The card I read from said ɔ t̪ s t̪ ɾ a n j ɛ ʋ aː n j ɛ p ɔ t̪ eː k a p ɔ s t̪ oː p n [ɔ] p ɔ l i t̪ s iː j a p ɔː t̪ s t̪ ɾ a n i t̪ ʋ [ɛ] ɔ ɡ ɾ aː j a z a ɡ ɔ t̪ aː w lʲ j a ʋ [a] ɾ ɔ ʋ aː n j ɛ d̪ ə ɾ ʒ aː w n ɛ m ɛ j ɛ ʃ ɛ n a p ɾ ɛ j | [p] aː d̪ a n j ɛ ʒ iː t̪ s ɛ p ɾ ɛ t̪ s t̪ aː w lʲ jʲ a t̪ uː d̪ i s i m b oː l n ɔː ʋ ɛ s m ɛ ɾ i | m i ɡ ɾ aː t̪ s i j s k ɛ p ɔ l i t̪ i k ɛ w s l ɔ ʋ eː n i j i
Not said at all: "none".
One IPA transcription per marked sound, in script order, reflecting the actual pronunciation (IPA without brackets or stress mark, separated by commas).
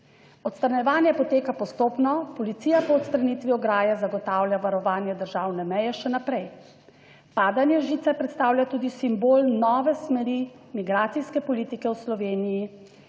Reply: ɔ, i, a, p